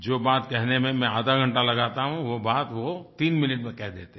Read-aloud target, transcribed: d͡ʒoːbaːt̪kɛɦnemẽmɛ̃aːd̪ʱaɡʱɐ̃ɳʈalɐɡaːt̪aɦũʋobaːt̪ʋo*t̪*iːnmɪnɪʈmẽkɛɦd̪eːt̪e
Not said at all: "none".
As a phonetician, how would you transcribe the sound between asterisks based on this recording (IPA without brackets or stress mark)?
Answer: t̪